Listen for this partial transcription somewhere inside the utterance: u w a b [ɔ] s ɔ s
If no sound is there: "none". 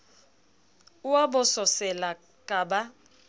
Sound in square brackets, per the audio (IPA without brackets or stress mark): ɔ